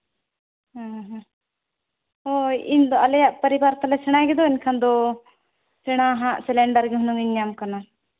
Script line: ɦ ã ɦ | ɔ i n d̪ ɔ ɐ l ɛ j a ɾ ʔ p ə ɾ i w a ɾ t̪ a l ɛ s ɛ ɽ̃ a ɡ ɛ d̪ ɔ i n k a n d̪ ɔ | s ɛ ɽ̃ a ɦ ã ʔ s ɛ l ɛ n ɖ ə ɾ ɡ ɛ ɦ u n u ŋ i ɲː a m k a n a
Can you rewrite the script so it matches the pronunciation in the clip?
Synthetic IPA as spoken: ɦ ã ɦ | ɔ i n d̪ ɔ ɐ l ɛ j a ʔ p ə ɾ i b a ɾ t̪ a l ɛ s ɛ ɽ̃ a ɡ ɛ d̪ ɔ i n kʰ a n d̪ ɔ | s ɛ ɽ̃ a ɦ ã ʔ s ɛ l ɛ ɳ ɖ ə ɾ ɡ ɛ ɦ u n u ŋ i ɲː a m k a n a